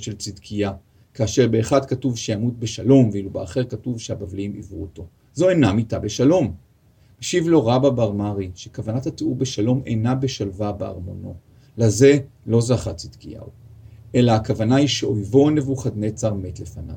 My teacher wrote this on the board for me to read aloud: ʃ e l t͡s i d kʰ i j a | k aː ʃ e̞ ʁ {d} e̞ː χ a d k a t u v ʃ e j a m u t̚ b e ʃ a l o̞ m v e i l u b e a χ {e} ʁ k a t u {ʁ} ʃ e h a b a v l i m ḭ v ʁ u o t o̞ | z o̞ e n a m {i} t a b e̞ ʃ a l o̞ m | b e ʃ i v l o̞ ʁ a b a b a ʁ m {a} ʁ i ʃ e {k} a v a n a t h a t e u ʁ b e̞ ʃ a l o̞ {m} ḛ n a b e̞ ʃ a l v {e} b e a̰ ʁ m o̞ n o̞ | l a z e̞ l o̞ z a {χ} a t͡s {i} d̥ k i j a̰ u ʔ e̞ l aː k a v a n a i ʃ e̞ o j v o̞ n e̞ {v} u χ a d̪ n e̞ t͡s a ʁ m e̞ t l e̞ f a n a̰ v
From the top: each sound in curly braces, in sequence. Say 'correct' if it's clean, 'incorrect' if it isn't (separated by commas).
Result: incorrect, correct, incorrect, correct, correct, correct, correct, incorrect, correct, correct, correct